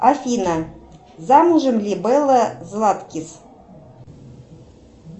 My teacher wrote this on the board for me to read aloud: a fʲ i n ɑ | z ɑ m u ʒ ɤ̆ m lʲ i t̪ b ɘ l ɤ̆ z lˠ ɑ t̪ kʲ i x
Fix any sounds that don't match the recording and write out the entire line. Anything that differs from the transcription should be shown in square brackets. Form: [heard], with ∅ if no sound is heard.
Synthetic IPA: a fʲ i n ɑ | z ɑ m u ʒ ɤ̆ m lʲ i [∅] b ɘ l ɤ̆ z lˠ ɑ t̪ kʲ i [s]